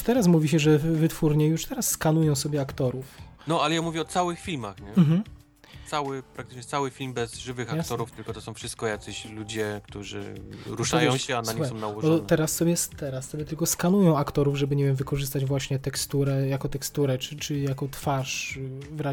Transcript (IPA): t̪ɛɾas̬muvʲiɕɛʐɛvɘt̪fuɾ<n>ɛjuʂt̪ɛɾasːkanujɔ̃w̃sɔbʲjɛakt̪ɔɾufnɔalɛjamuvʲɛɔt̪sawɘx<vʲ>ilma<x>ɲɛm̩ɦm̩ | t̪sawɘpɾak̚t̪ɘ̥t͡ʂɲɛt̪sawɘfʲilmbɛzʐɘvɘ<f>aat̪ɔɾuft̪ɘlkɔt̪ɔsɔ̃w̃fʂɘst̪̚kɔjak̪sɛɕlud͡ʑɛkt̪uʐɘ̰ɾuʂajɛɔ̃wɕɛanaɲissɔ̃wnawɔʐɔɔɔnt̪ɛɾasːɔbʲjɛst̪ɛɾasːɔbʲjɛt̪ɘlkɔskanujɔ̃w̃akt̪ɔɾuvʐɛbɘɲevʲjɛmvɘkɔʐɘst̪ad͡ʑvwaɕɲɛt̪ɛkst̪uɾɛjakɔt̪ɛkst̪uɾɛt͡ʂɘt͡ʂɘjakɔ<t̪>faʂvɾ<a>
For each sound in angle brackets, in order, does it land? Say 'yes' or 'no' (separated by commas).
no, no, yes, no, yes, yes